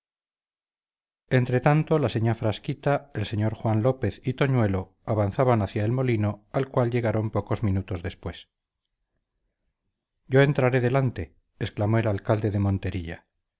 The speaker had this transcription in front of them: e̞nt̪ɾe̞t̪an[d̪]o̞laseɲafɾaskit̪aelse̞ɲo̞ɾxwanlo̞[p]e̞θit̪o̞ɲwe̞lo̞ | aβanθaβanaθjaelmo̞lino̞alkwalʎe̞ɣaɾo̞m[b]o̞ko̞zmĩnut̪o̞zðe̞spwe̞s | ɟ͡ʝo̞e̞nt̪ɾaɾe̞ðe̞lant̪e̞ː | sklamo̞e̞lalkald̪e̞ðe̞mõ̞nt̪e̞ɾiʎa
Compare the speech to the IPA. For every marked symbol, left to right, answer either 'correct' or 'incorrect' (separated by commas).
incorrect, correct, incorrect